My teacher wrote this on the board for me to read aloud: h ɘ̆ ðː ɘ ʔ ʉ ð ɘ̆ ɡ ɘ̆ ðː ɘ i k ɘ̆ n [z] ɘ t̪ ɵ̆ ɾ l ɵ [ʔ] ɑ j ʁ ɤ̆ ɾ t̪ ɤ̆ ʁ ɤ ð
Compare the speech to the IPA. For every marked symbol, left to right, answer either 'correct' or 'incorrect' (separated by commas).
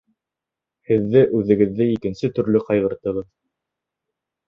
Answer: incorrect, incorrect